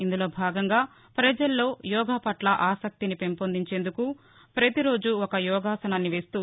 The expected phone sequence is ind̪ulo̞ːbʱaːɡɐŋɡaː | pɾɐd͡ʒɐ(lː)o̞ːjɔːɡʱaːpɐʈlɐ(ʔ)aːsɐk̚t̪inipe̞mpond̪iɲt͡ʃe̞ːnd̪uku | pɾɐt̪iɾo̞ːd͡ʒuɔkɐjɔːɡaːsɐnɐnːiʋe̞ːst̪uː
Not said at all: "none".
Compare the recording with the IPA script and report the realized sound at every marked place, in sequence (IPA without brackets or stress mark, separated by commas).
lː, ʔ